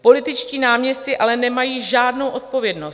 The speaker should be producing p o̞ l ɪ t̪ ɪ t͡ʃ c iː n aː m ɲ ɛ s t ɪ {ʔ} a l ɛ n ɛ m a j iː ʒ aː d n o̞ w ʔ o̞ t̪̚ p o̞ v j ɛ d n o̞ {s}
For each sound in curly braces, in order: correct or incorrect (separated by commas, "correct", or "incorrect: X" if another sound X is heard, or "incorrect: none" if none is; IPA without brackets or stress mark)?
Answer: correct, correct